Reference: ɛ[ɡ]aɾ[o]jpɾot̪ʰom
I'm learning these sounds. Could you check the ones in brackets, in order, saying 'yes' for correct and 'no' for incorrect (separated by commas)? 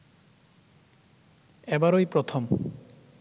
no, yes